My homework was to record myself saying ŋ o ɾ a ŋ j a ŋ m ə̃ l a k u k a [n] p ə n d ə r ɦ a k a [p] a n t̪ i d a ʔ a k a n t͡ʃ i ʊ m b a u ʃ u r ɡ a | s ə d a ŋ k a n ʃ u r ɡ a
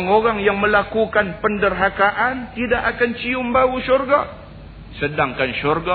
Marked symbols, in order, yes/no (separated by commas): yes, no